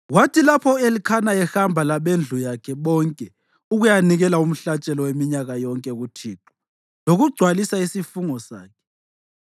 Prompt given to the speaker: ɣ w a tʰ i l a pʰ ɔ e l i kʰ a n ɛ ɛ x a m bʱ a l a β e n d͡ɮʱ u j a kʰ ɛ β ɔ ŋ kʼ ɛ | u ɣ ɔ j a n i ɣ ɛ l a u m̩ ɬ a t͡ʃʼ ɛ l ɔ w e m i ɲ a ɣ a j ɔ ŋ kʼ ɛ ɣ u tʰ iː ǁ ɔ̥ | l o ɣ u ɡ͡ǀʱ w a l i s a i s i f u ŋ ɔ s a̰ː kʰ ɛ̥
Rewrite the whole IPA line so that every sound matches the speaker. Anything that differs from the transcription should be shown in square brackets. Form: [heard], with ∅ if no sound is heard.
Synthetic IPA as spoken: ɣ w a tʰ i l a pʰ ɔ e l i kʰ a n [a] ɛ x a m bʱ a l a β e n d͡ɮʱ u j a kʰ ɛ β ɔ ŋ kʼ ɛ | u ɣ [u] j a n i ɣ ɛ l a u m̩ ɬ a t͡ʃʼ ɛ l ɔ w e m i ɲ a ɣ a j ɔ ŋ kʼ ɛ ɣ u tʰ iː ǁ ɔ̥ | l o ɣ u ɡ͡ǀʱ w a l i s a i s i f u ŋ ɔ s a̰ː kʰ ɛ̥